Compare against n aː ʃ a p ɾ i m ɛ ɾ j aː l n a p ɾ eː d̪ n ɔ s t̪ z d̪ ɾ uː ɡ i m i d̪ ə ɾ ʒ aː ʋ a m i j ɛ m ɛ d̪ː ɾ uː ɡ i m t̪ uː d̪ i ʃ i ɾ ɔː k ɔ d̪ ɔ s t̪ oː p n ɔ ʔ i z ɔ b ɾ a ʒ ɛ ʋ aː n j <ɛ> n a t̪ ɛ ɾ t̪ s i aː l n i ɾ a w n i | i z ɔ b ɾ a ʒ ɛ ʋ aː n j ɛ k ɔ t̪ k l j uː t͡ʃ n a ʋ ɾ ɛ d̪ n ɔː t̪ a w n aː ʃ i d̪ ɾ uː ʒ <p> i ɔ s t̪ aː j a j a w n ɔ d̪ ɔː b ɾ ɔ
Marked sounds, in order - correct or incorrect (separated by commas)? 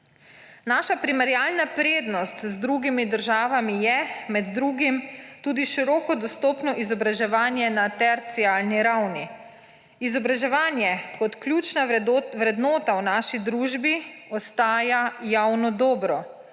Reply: correct, incorrect